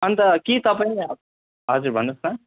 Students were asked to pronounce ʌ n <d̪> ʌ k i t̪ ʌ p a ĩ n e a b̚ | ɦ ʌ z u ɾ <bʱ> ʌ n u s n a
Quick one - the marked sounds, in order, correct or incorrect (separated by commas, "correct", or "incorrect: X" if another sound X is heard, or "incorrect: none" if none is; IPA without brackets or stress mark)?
incorrect: t̪, correct